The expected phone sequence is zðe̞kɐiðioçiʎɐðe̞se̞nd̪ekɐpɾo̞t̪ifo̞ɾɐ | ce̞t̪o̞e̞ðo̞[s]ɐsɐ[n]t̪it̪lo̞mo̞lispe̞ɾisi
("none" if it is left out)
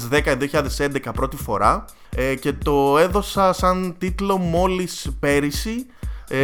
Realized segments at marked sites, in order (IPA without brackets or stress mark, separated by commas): s, n